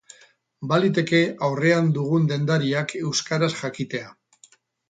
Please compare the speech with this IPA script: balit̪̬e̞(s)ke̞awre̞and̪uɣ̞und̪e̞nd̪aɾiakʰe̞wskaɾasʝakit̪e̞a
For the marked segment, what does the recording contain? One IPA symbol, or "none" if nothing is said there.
none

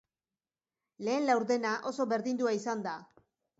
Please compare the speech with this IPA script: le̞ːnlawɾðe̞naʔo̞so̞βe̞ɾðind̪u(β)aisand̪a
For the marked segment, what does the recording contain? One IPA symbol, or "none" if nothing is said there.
none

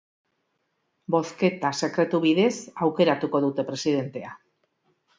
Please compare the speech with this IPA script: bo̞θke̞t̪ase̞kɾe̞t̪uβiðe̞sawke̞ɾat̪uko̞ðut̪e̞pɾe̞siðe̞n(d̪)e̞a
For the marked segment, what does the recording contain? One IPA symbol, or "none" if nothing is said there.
t̪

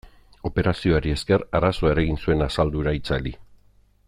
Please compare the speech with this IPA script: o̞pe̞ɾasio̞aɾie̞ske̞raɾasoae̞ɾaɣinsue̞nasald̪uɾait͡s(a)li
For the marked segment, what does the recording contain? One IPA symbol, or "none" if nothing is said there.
a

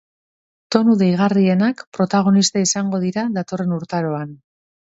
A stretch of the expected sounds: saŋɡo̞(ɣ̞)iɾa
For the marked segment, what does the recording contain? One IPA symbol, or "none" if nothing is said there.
ð̞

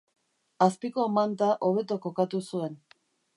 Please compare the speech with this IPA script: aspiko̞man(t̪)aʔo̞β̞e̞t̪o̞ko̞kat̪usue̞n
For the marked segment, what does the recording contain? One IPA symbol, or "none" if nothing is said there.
t̪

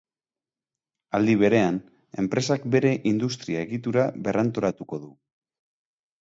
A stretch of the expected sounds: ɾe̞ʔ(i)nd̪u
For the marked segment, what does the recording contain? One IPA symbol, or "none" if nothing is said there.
i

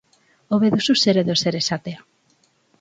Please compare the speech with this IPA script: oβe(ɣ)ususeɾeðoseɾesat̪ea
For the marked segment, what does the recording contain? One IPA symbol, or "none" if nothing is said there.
ð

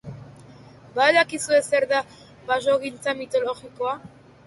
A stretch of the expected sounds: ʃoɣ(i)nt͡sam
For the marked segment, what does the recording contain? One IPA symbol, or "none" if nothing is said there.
i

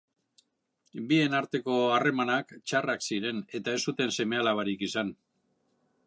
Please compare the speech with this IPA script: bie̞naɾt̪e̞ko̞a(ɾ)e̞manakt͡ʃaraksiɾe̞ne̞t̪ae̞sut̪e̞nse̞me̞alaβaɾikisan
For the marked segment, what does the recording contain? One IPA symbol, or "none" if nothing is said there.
r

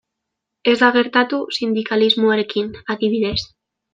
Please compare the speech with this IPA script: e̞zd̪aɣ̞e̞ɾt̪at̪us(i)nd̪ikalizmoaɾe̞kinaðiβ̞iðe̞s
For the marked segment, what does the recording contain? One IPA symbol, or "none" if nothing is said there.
i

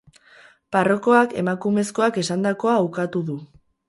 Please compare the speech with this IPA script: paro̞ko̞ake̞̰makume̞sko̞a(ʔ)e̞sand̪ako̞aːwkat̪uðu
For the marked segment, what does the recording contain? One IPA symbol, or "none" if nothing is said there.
k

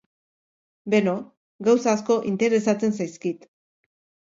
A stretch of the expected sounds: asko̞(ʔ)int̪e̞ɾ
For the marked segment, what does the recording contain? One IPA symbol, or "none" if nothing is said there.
ʔ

